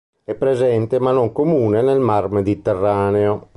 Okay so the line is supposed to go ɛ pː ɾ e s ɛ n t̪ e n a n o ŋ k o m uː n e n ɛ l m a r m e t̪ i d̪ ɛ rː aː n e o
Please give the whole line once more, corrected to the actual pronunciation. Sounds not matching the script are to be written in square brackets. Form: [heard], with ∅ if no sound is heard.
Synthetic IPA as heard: ɛ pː ɾ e [z] ɛ n t̪ e [m] a n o ŋ k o m uː n e n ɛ l m a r m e [d̪] i [t̪] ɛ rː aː n e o